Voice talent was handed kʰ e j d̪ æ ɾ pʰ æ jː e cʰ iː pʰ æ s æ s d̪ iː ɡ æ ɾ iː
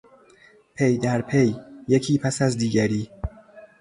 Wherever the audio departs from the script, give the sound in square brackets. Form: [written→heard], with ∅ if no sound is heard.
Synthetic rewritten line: [kʰ→pʰ] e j d̪ æ ɾ pʰ [æ→e] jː e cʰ iː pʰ æ s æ [s→z] d̪ iː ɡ æ ɾ iː